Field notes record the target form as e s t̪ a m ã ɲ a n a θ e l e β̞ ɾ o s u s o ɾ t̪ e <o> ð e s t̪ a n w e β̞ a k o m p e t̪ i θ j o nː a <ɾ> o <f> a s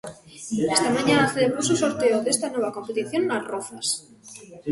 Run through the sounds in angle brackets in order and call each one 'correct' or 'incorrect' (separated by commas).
correct, incorrect, correct